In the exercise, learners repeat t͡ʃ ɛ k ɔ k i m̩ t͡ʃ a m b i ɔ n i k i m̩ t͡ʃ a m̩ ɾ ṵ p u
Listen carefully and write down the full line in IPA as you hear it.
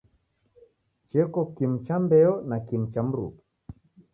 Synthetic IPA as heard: t͡ʃ ɛ k ɔ k i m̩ t͡ʃ a m b ɛ ɔ n a k i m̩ t͡ʃ a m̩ ɾ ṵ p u